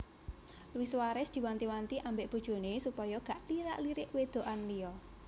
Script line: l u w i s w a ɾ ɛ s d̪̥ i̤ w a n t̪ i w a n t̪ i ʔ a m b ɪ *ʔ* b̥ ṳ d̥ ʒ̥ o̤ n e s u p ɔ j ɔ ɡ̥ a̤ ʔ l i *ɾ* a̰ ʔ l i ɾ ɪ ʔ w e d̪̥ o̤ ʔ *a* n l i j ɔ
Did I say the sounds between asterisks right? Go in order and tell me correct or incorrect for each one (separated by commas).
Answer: correct, correct, correct